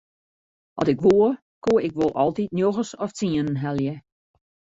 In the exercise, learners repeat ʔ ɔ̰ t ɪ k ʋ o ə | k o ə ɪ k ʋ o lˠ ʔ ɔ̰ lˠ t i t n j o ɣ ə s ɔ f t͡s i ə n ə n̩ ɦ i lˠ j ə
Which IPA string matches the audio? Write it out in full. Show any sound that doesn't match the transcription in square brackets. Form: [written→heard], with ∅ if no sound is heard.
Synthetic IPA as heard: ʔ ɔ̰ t ɪ k ʋ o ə | k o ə ɪ k ʋ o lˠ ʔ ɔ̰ lˠ t i t n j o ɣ ə s ɔ f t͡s i ə n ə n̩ ɦ [i→ɛ] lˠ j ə